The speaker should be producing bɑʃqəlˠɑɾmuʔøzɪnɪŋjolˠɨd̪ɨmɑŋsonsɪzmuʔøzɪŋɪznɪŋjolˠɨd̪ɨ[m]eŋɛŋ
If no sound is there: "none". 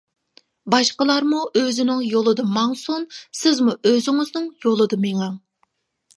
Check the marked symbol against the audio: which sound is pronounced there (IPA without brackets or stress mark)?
m